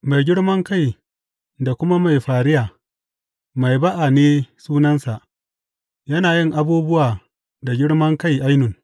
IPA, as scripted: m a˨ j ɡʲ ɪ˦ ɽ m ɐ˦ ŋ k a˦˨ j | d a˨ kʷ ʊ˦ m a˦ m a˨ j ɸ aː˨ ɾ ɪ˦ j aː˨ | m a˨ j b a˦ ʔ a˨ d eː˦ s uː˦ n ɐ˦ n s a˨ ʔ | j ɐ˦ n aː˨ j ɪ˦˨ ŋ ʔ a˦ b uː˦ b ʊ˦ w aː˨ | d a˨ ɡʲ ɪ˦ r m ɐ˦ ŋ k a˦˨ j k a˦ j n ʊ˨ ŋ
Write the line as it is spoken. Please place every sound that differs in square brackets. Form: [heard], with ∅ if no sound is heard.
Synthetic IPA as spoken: m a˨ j ɡʲ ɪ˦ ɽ m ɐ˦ ŋ k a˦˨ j | d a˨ kʷ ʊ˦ m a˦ m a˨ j ɸ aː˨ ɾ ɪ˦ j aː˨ | m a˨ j b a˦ ʔ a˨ [n] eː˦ s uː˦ n ɐ˦ n s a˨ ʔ | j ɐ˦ n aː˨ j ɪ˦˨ ŋ ʔ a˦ b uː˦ b ʊ˦ w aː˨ | d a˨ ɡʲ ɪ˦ [ɽ] m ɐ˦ ŋ k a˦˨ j [ʔ] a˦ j n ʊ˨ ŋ

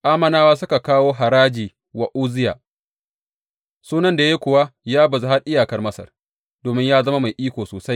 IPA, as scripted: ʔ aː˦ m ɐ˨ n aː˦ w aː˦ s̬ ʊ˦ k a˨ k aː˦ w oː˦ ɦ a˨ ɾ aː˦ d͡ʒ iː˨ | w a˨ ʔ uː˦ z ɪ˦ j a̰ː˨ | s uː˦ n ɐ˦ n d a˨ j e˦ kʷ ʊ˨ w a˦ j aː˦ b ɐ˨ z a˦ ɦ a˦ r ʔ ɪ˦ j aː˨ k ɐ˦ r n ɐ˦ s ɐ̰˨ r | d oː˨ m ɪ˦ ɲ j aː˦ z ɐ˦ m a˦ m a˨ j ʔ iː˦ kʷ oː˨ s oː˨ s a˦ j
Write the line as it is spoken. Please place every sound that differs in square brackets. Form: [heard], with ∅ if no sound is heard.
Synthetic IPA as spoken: ʔ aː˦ m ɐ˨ n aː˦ w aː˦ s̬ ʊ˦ k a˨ k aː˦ w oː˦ ɦ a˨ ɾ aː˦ d͡ʒ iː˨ | w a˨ ʔ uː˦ z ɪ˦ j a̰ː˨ | s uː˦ n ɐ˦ n d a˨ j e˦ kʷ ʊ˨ w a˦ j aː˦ b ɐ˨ z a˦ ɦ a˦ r ʔ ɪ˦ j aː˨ k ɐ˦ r [m] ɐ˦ s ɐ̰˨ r | d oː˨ m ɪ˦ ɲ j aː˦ z ɐ˦ m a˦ m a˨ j ʔ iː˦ kʷ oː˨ s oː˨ s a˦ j

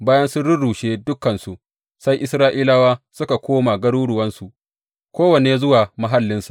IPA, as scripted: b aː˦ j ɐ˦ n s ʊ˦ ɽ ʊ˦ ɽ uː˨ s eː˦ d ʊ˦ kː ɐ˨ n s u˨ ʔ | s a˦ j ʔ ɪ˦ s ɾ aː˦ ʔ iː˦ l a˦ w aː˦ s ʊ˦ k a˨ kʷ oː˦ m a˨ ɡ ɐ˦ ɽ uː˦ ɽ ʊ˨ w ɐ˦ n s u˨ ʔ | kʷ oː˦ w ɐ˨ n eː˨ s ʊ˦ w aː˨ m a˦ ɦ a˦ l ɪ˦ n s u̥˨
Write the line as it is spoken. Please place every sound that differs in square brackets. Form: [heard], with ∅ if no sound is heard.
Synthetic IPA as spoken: b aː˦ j ɐ˦ n s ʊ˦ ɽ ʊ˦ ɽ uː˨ [ʃ] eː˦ d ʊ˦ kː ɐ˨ n s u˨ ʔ | s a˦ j ʔ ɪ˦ s ɾ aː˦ ʔ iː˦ l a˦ w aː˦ s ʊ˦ k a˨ kʷ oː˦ m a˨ ɡ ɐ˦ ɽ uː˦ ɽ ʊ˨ w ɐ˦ n s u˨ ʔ | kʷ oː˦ w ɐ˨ n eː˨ [z] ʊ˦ w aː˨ m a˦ ɦ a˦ [lː] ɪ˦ n s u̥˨

